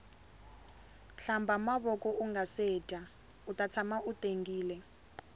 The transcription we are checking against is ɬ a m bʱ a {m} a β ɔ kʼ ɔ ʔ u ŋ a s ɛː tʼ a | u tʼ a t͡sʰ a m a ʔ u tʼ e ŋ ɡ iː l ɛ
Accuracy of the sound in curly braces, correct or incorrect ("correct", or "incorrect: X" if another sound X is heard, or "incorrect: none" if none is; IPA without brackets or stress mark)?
correct